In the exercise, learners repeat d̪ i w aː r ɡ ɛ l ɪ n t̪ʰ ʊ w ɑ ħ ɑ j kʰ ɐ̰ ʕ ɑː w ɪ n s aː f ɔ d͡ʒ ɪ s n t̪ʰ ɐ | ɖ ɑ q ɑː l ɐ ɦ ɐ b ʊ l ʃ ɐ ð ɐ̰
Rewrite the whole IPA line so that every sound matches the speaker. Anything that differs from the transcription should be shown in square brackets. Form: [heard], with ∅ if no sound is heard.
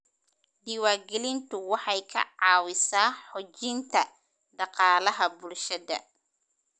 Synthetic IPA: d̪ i w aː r ɡ ɛ l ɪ n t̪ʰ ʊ w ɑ ħ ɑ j kʰ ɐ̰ ʕ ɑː w ɪ [∅] s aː [ħ] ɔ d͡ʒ ɪ [∅] n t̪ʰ ɐ | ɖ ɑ q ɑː l ɐ ɦ ɐ b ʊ l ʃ ɐ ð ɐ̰

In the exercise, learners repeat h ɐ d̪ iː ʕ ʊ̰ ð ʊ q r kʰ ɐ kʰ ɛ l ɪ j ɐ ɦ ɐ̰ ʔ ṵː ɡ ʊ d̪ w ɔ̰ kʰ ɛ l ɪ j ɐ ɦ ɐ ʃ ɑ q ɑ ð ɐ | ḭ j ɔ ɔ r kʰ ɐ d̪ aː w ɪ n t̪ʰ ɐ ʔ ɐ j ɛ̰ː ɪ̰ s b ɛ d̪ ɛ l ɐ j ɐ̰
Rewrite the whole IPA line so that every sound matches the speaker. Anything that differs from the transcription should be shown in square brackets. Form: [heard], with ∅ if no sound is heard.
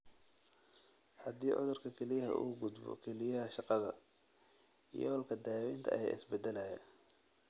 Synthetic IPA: h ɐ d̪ iː ʕ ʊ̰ ð ʊ [∅] r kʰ ɐ kʰ ɛ l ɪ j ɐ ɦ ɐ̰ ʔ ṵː ɡ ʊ d̪ [b] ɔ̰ kʰ ɛ l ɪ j ɐ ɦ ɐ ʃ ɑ q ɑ ð ɐ | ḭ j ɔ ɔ [l] kʰ ɐ d̪ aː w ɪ n t̪ʰ ɐ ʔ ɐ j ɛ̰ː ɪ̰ s b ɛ d̪ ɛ l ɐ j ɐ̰

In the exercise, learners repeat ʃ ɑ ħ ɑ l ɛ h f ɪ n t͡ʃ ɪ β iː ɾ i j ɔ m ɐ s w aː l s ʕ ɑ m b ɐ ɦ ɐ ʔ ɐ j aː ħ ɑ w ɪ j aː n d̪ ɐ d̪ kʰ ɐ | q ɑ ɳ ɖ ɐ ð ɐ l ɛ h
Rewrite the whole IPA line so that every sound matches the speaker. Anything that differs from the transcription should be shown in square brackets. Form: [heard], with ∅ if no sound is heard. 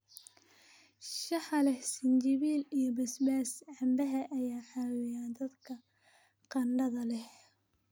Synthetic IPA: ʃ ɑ ħ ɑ l ɛ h [s] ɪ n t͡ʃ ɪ β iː [l] i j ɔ [b] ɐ s [b] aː [∅] s ʕ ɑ m b ɐ ɦ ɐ ʔ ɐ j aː ħ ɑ w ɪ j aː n d̪ ɐ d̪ kʰ ɐ | q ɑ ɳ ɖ ɐ ð ɐ l ɛ h

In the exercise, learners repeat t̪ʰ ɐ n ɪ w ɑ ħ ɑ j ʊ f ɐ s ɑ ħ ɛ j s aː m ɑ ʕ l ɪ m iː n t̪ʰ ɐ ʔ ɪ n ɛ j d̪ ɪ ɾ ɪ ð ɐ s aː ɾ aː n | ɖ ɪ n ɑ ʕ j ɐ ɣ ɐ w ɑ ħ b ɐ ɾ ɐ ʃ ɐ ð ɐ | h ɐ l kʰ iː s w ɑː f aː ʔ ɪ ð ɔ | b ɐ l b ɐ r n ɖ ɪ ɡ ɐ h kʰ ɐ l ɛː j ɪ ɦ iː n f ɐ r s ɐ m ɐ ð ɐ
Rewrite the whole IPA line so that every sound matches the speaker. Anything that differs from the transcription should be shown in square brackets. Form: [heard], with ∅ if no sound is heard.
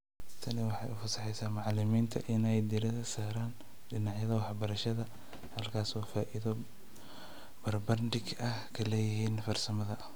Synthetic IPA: t̪ʰ ɐ n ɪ w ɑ ħ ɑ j ʊ f ɐ s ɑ ħ ɛ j s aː m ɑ ʕ l ɪ m iː n t̪ʰ ɐ ʔ ɪ n ɛ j d̪ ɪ ɾ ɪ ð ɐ s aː ɾ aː n | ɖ ɪ n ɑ ʕ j ɐ [ð] ɐ w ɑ ħ b ɐ ɾ ɐ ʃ ɐ ð ɐ | h ɐ l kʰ [aː] s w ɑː f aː ʔ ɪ ð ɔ | b ɐ [r] b ɐ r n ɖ ɪ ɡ ɐ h kʰ ɐ l ɛː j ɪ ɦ iː n f ɐ r s ɐ m ɐ ð ɐ

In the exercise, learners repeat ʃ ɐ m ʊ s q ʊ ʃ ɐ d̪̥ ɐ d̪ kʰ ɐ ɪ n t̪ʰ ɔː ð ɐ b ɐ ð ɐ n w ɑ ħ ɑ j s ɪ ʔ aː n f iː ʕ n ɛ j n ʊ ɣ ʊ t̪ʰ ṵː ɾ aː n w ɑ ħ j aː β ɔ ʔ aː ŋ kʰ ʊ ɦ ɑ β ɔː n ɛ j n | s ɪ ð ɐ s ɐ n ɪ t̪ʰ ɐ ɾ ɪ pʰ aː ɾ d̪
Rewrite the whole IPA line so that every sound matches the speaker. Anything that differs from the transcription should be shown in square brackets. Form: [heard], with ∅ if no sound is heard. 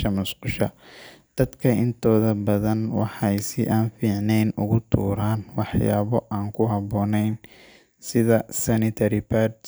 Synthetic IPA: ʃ ɐ m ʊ s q ʊ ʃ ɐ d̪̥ ɐ d̪ kʰ ɐ ɪ n t̪ʰ ɔː ð ɐ b ɐ ð ɐ n w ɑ ħ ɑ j s ɪ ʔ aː n f iː ʕ n ɛ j n ʊ ɣ ʊ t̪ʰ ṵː ɾ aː n w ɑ ħ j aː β ɔ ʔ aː ŋ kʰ ʊ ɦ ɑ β ɔː n ɛ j n | s ɪ ð ɐ s ɐ n ɪ t̪ʰ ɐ ɾ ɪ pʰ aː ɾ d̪

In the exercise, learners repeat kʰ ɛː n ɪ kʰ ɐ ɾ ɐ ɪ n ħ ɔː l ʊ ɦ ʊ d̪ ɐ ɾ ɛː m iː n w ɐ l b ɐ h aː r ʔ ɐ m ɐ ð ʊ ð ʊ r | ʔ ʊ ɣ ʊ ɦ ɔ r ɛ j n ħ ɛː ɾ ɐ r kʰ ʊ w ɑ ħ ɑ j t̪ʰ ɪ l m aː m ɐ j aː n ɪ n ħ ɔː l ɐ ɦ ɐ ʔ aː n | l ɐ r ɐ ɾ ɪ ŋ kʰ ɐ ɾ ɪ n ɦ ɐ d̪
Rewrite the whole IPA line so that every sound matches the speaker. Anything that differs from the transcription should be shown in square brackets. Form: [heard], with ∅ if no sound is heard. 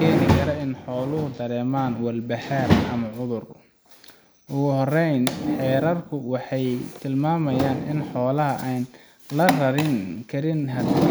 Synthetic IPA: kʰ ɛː n ɪ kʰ ɐ ɾ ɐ ɪ n ħ ɔː l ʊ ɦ ʊ d̪ ɐ ɾ ɛː m [aː] n w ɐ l b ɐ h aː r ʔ ɐ m ɐ [ʕ] ʊ ð ʊ r | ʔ ʊ ɣ ʊ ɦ ɔ r ɛ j n ħ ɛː ɾ ɐ r kʰ ʊ w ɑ ħ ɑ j t̪ʰ ɪ l m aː m ɐ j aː n ɪ n ħ ɔː l ɐ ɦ ɐ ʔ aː n | l ɐ r ɐ ɾ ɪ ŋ kʰ ɐ ɾ ɪ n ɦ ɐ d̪

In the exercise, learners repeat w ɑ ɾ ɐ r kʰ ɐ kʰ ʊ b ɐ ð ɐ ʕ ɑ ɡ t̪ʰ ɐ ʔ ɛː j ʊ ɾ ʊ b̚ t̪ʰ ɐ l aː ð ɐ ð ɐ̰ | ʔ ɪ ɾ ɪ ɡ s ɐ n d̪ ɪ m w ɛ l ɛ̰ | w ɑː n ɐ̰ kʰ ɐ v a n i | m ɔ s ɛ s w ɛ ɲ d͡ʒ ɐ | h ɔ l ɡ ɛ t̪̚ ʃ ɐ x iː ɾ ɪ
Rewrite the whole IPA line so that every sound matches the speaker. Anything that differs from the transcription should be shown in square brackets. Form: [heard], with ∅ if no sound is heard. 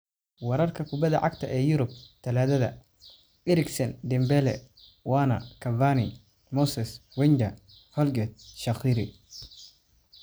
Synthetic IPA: w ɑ ɾ ɐ r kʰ ɐ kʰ ʊ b ɐ ð ɐ ʕ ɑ ɡ t̪ʰ ɐ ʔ ɛː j ʊ ɾ ʊ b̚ t̪ʰ ɐ l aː ð ɐ ð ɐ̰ | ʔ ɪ ɾ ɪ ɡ s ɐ n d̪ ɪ m [b] ɛ l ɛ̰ | w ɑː n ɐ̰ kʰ ɐ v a n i | m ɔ s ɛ s w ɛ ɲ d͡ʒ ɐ | h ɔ l ɡ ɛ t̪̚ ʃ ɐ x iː ɾ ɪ

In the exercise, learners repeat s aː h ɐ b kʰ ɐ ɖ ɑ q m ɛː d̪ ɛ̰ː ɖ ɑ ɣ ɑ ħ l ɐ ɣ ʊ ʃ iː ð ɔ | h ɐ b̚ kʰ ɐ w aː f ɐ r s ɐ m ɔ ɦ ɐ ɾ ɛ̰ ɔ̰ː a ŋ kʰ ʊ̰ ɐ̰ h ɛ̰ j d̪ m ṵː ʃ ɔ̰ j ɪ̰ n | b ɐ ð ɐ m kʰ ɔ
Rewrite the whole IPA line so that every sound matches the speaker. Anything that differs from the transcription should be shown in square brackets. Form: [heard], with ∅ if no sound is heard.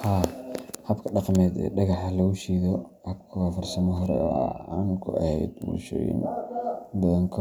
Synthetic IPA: [h] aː h ɐ b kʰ ɐ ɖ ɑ q m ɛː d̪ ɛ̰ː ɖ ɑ ɣ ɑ ħ l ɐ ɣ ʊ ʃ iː ð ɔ | h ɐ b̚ kʰ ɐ w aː f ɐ r s ɐ m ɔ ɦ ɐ ɾ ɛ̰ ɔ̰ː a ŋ kʰ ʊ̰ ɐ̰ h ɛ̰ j d̪ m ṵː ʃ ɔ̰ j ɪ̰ n | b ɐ ð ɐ [ŋ] kʰ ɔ

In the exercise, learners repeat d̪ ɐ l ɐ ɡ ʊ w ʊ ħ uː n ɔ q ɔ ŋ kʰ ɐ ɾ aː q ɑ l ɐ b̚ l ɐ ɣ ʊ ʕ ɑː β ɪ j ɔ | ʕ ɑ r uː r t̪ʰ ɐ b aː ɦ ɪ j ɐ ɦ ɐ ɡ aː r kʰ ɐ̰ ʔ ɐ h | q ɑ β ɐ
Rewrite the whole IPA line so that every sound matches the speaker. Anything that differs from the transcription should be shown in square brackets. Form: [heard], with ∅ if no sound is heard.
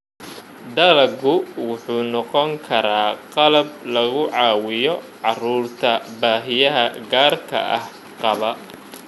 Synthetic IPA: d̪ ɐ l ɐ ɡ ʊ w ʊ ħ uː n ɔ q ɔ ŋ kʰ ɐ ɾ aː q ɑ l ɐ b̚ l ɐ ɣ ʊ ʕ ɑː [w] ɪ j ɔ | ʕ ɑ r uː r t̪ʰ ɐ b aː ɦ ɪ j ɐ ɦ ɐ ɡ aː r kʰ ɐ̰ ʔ ɐ h | q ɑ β ɐ

